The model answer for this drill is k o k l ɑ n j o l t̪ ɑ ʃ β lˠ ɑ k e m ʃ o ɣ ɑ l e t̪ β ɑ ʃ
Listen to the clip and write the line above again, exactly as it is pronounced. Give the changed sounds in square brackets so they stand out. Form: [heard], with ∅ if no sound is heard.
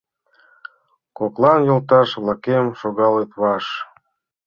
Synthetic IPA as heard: k o k l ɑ n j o l t̪ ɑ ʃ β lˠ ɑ k e m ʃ o ɣ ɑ l e t̪ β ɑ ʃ